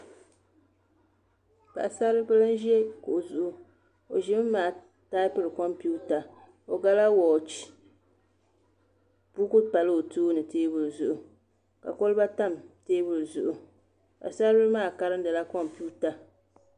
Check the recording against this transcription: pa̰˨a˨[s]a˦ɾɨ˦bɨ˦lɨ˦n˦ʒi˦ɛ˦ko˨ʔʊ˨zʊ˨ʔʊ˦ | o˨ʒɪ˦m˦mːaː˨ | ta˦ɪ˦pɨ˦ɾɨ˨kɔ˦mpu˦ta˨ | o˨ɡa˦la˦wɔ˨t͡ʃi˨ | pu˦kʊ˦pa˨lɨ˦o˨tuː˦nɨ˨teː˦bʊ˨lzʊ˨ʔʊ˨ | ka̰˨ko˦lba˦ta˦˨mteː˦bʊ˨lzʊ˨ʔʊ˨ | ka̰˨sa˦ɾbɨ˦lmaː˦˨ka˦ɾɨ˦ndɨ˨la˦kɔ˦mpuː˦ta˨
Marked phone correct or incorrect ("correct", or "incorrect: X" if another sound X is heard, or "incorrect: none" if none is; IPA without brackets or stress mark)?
correct